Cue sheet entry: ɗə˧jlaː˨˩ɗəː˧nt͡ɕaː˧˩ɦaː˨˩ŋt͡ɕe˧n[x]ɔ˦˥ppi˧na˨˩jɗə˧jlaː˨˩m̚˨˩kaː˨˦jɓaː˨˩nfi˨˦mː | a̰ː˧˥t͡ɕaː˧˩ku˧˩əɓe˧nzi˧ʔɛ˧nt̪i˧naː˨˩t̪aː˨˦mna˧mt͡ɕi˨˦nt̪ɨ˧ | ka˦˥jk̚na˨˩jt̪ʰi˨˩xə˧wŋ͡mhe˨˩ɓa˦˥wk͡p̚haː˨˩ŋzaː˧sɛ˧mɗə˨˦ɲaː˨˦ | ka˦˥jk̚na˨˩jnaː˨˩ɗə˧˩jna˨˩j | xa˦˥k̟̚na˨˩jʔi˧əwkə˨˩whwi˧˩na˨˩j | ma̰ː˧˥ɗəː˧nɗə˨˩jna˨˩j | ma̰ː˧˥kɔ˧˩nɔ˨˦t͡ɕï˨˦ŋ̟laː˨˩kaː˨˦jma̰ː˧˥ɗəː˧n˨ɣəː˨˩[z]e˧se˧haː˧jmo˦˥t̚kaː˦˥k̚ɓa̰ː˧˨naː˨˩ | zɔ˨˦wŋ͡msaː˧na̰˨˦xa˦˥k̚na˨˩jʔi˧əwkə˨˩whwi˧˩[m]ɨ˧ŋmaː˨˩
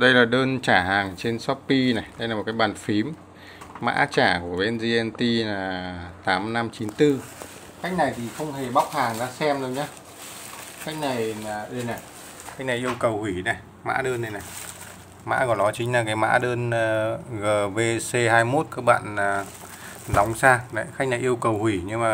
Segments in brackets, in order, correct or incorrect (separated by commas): incorrect, incorrect, incorrect